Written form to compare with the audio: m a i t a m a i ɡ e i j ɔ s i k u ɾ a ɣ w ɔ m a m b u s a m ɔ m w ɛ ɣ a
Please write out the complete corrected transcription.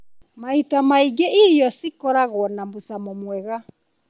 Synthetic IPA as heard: m a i t a m a i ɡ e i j ɔ s i k ɔ ɾ a ɣ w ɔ n a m b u s a m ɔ m w ɛ ɣ a